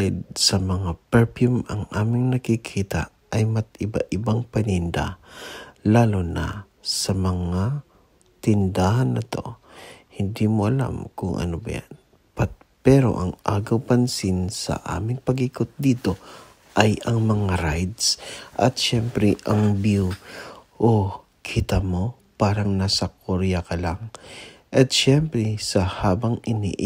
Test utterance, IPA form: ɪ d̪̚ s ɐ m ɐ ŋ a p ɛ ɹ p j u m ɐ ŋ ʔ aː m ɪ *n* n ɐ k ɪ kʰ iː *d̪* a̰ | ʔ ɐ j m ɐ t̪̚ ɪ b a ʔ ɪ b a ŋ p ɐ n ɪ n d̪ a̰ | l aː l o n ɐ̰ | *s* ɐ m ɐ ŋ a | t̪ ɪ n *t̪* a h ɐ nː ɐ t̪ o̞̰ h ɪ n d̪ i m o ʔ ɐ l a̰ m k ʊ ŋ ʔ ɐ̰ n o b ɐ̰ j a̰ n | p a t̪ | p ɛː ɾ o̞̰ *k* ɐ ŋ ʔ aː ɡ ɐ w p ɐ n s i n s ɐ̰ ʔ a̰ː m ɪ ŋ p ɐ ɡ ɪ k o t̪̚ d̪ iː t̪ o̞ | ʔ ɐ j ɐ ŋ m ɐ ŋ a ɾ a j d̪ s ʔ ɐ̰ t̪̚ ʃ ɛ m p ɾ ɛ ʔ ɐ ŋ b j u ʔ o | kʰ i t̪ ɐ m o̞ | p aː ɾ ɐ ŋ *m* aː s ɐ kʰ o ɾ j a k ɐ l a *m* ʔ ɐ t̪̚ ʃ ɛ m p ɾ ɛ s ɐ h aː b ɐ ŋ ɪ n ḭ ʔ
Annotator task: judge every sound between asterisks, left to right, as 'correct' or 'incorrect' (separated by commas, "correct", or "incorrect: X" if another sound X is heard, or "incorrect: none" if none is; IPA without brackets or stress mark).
incorrect: ŋ, incorrect: t̪, correct, incorrect: d̪, incorrect: ʔ, incorrect: n, incorrect: ŋ